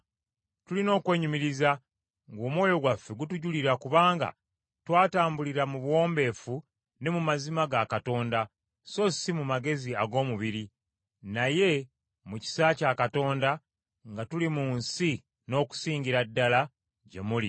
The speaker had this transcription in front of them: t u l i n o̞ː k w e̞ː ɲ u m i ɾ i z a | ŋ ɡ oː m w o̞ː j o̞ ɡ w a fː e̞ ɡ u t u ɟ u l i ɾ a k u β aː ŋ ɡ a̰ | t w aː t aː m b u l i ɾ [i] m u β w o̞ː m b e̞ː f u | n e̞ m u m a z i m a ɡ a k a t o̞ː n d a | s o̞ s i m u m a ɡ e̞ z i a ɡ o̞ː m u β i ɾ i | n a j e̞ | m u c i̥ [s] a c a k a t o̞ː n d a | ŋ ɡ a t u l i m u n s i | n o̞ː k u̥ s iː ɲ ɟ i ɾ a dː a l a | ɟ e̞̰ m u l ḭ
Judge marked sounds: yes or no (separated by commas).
no, yes